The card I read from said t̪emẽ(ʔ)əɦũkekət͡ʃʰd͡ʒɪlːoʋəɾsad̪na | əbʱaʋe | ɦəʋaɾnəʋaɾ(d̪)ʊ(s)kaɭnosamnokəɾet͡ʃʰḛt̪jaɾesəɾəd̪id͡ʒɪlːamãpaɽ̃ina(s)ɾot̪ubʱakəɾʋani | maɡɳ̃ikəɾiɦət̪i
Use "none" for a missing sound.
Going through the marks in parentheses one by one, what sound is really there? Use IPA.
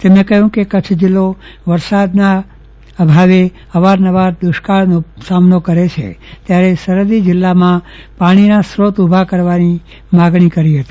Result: k, d̪, ʃ, s

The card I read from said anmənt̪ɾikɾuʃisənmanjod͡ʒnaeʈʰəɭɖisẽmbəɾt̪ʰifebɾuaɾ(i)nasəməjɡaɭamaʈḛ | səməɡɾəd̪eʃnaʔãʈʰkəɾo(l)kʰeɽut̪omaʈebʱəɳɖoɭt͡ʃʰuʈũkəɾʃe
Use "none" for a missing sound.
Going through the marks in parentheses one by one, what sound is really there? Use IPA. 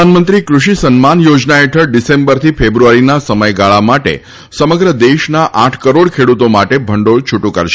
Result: i, ɽ

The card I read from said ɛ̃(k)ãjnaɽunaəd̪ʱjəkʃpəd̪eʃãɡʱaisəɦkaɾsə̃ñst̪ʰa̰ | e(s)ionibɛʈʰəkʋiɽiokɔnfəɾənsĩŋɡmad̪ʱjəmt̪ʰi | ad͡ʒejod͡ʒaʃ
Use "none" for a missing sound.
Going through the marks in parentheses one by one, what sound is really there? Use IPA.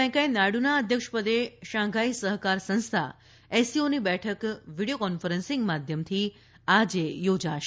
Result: k, s

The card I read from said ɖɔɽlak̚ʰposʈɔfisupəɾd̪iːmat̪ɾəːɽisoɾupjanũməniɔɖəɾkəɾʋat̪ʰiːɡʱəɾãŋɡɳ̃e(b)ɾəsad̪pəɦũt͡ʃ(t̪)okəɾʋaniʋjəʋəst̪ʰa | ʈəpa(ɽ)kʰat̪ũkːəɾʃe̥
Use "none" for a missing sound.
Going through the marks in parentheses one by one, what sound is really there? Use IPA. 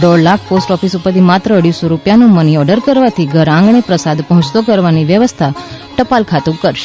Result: p, t̪, l

